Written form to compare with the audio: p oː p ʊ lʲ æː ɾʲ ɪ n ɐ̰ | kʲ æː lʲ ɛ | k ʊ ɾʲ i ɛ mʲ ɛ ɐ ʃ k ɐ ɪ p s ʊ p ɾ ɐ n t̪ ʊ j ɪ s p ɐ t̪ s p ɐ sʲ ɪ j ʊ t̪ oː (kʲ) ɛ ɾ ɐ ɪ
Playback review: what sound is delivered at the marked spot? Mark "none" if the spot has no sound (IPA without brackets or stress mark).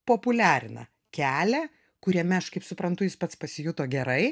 ɡʲ